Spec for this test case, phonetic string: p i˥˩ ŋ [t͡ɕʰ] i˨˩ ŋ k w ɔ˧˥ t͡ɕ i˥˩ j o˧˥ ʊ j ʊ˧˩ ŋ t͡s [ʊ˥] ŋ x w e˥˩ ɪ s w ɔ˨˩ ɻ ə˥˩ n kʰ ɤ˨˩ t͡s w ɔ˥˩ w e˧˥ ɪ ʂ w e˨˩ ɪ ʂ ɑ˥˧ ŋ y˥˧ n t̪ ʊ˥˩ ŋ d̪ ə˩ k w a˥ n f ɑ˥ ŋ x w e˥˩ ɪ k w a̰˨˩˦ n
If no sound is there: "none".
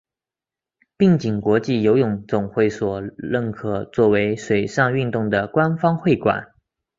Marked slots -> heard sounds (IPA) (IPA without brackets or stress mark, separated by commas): t͡ɕ, ʊ˨˩